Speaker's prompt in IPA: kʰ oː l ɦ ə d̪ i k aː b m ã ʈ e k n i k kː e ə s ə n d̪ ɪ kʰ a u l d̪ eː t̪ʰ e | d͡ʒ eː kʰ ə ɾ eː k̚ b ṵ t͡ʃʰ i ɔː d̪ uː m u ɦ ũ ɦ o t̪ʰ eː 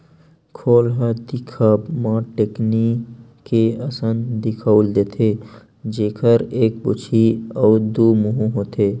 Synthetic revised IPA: kʰ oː l ɦ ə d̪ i kʰ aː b m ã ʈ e k n i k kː e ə s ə n d̪ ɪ kʰ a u l d̪ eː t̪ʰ e | d͡ʒ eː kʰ ə ɾ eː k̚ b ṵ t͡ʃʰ i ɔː d̪ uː m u ɦ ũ ɦ o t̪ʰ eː